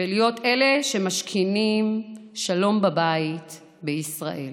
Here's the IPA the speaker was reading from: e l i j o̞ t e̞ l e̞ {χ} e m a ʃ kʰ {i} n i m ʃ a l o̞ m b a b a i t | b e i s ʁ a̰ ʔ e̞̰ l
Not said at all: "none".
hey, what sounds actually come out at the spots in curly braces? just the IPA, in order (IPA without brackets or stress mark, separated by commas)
ʃ, i